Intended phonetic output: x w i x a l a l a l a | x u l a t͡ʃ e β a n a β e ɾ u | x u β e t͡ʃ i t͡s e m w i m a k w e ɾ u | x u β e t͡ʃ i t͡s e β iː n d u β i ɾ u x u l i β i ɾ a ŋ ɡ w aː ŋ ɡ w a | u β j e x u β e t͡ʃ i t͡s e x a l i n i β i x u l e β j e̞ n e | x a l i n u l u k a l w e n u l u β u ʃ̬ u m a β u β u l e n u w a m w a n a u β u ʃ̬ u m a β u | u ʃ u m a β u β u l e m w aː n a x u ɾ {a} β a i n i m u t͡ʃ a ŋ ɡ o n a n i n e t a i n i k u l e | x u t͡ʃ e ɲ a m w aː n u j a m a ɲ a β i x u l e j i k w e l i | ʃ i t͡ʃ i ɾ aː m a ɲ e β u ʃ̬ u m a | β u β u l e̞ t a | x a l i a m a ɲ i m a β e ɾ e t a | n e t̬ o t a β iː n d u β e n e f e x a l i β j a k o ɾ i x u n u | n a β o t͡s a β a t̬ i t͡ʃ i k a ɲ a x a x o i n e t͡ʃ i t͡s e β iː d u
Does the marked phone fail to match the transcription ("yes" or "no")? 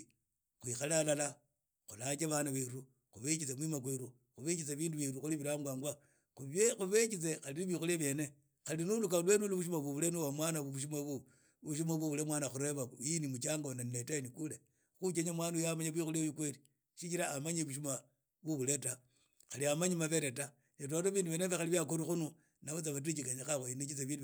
yes